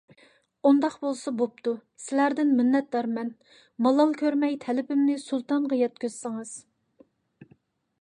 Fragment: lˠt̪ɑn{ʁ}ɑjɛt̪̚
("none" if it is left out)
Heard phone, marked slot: ʁ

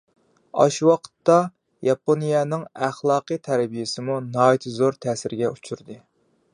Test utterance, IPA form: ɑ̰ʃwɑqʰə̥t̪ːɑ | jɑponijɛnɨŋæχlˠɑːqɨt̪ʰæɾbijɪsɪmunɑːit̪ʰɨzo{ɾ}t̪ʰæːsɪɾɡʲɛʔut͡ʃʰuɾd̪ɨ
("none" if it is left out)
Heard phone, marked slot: ɾ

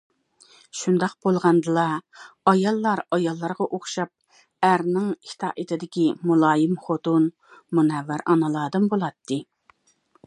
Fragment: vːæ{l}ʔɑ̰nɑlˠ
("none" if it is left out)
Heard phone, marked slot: ɾ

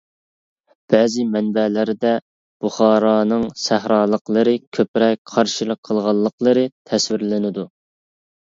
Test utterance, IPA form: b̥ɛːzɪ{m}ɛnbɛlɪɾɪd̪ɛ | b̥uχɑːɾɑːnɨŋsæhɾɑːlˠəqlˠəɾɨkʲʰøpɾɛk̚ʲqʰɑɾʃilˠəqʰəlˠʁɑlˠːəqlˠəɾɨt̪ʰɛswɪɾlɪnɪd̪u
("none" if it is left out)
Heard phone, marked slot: m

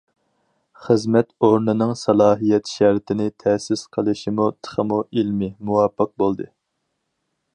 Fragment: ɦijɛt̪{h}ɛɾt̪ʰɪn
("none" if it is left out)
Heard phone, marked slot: ʃ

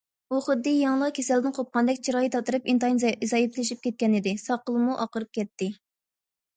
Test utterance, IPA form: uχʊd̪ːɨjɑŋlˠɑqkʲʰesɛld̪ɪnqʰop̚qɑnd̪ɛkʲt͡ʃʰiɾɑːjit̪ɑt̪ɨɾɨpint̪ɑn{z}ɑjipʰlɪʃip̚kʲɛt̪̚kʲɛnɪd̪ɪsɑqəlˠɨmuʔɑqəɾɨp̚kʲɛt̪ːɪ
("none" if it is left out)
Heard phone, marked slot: z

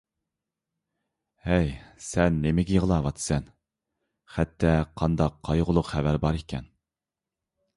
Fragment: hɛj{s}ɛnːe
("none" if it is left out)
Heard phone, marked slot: s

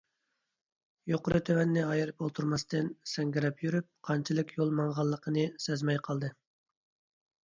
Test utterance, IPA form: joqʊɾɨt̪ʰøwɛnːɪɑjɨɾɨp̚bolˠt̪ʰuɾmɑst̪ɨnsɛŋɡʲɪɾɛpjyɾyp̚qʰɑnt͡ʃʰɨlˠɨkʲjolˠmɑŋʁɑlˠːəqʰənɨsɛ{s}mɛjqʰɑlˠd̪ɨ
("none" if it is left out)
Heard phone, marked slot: z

